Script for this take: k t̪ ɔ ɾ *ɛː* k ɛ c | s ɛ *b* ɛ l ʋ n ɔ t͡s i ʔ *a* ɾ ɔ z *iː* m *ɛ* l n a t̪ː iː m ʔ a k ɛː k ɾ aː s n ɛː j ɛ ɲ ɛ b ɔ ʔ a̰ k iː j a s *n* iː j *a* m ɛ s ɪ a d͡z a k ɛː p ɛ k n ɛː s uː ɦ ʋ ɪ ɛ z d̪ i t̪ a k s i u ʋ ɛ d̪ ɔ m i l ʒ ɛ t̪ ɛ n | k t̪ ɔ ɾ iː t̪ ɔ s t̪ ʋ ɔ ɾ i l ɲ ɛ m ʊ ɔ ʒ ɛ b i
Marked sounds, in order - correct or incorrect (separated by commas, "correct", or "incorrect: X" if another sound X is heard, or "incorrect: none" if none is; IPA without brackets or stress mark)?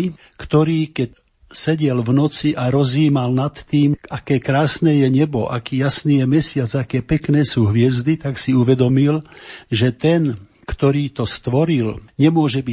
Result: incorrect: iː, incorrect: ɟ, correct, correct, incorrect: a, correct, incorrect: ɛ